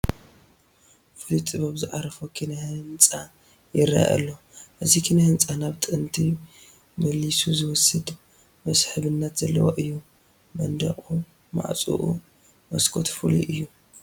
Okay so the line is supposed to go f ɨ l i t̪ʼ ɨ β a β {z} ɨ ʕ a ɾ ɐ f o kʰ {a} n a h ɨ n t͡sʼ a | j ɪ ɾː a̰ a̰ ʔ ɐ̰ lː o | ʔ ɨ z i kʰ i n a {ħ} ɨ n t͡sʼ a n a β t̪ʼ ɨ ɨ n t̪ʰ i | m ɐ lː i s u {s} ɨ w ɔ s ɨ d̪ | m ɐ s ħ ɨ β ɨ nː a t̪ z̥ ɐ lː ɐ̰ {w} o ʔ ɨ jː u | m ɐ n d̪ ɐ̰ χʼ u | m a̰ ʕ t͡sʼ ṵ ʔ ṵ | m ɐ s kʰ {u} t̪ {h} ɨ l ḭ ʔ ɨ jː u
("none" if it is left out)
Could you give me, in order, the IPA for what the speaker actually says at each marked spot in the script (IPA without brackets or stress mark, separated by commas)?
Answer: z, i, h, z, w, o, f